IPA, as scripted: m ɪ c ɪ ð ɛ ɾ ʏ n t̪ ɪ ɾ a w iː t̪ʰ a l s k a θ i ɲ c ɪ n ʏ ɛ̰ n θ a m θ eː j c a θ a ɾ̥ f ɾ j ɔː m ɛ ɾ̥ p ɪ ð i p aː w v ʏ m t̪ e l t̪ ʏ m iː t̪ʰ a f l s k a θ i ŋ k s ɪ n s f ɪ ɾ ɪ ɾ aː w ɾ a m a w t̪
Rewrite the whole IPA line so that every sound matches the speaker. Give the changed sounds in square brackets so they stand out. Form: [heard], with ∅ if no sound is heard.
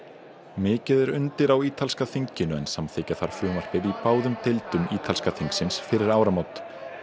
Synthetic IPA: m [ɪː] c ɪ ð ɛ ɾ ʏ n t̪ ɪ ɾ a w iː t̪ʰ a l s k a θ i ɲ c ɪ n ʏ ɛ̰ n [s] a m θ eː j c a θ a ɾ̥ f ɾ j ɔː m [a] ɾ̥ p ɪ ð i p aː w [ð] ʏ m t̪ e l t̪ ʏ m iː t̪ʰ a [∅] l s k a θ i ŋ k s ɪ n s f ɪ ɾ ɪ ɾ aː w ɾ a m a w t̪

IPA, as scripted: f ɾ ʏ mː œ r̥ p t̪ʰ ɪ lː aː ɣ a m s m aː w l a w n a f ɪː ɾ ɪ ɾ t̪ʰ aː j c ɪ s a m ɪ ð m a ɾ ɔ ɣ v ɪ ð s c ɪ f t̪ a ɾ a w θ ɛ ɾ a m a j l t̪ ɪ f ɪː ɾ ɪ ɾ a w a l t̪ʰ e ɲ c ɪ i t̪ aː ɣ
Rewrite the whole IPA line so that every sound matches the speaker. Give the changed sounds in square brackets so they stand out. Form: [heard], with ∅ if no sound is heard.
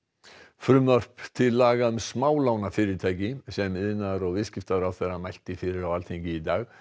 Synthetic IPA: f ɾ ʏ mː œ r̥ p t̪ʰ ɪ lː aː ɣ a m s m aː w l a w n a f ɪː ɾ ɪ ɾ t̪ʰ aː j c ɪ s [ɛ] m ɪ ð [n] a ɾ ɔ ɣ v ɪ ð s c ɪ f t̪ a ɾ a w θ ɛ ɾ a m a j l t̪ ɪ f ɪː ɾ ɪ ɾ a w a l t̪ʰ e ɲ c ɪ i t̪ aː ɣ

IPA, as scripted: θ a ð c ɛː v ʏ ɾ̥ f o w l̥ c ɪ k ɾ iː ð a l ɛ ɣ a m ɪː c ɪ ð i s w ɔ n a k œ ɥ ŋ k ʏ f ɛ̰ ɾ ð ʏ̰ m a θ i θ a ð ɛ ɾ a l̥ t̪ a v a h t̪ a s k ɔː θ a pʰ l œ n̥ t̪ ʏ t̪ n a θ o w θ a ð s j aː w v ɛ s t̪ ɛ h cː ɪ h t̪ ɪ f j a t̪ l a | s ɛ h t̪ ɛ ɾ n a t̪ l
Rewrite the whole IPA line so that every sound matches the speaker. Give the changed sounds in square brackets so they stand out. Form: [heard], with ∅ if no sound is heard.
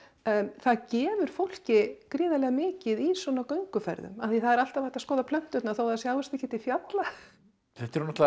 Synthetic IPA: θ a ð c ɛː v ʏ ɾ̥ f o w l̥ c ɪ k ɾ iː ð a l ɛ ɣ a m ɪː c ɪ ð i s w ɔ n a k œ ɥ ŋ k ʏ f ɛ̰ ɾ ð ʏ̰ m a θ i θ a ð ɛ ɾ a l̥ t̪ a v a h t̪ a s k ɔː [ð] a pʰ l œ n̥ t̪ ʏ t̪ n a θ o w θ a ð s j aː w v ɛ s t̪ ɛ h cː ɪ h t̪ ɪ f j a t̪ l a | [θ] ɛ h t̪ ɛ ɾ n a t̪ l

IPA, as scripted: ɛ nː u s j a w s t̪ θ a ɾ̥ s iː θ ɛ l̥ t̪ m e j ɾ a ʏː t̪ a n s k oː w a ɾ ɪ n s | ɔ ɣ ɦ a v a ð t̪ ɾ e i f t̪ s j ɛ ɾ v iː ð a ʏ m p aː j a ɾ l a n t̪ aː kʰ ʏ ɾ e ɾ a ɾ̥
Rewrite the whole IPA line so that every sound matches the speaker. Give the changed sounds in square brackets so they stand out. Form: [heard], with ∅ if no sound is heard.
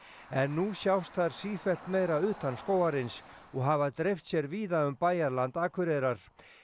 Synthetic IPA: ɛ nː u s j a w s t̪ θ a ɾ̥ s iː [f] ɛ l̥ t̪ m e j ɾ a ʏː t̪ a n s k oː w a ɾ ɪ n s | ɔ ɣ ɦ a v a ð t̪ ɾ e [j] f t̪ s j ɛ ɾ v iː ð a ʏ m p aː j a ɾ l a n t̪ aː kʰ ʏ ɾ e ɾ a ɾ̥

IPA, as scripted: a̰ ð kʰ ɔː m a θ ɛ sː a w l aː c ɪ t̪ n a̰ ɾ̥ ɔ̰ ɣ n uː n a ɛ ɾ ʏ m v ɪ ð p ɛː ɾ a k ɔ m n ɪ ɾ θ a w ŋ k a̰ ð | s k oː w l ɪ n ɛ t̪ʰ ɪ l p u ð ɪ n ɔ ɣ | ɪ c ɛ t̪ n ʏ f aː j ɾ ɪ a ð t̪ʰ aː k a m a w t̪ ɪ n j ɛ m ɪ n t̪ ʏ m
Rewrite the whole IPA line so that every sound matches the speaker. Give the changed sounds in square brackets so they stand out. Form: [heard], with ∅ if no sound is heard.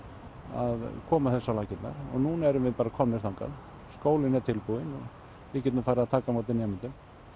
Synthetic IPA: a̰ ð kʰ ɔː m a θ ɛ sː a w l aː c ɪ t̪ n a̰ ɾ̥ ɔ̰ ɣ n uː n a ɛ ɾ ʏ m v ɪ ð p [aː] ɾ a [kʰ] ɔ m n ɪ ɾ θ a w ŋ k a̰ ð | s k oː w l ɪ n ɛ t̪ʰ ɪ l p u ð ɪ n ɔ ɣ | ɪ c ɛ t̪ n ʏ f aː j ɾ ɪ a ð t̪ʰ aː k a m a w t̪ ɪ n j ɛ m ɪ n t̪ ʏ m

